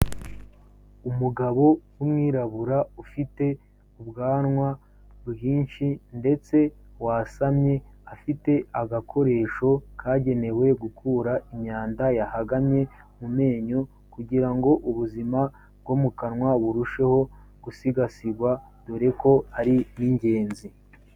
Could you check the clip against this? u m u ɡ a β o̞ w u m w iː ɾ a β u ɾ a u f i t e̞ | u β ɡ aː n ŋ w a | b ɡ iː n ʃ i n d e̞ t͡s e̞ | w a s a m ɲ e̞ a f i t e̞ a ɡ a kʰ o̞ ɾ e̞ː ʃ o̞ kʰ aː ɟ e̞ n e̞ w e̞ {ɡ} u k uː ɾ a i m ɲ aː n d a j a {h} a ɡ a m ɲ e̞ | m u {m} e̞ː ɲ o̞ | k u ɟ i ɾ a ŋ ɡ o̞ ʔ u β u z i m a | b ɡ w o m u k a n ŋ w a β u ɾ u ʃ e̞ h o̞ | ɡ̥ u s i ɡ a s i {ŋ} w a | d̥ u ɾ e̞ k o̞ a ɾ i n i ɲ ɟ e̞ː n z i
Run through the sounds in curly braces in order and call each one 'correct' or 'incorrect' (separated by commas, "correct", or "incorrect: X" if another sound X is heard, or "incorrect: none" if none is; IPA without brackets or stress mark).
correct, correct, correct, incorrect: ɡ